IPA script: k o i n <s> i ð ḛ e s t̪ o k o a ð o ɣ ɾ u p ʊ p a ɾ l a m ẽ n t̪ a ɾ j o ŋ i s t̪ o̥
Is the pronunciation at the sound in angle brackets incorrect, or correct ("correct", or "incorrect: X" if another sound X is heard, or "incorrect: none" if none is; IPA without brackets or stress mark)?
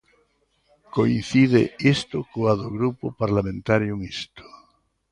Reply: incorrect: θ